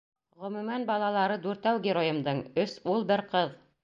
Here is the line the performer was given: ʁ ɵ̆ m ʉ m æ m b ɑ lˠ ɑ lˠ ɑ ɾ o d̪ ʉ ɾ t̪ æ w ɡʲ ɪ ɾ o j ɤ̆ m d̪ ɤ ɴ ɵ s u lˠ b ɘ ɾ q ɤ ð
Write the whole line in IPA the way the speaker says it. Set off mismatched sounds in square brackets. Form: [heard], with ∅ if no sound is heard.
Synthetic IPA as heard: ʁ ɵ̆ m ʉ m æ [n] b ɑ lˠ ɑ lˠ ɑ ɾ [ɤ] d̪ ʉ ɾ t̪ æ w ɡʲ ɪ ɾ o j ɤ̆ m d̪ ɤ ɴ ɵ s u lˠ b ɘ ɾ q ɤ ð